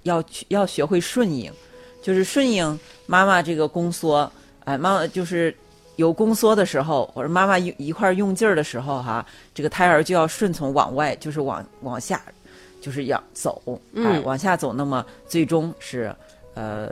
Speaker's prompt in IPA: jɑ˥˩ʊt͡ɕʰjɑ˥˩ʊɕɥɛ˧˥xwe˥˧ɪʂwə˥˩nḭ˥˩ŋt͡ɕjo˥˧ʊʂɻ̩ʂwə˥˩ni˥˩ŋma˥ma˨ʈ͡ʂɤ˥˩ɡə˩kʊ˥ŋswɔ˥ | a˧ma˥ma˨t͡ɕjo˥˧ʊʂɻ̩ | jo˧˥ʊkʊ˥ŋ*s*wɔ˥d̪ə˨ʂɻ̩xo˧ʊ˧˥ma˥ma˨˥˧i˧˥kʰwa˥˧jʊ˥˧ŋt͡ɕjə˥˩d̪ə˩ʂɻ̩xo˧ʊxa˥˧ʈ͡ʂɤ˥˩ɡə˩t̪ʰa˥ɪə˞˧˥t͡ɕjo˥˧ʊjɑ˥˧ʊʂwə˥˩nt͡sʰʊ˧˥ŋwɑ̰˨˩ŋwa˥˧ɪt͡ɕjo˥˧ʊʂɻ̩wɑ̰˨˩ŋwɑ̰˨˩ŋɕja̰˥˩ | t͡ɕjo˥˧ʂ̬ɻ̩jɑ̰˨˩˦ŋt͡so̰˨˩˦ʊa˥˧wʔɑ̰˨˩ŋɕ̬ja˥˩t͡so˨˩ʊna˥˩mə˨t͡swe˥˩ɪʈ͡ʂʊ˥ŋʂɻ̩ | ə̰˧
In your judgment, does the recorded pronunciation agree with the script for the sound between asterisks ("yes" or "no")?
yes